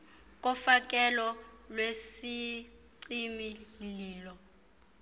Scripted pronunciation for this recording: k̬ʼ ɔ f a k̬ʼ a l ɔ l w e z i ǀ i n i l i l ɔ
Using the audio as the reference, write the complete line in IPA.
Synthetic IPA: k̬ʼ ɔ f a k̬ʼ ɛ l ɔ l w e s i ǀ i m i l iː l ɔ